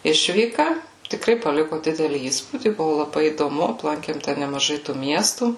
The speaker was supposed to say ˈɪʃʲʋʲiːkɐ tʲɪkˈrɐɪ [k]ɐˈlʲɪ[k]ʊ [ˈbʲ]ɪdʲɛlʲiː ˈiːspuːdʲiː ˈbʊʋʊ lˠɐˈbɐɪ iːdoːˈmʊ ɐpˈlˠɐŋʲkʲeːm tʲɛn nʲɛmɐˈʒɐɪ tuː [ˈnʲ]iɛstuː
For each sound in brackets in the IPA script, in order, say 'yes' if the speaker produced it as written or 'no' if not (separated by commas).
no, yes, no, no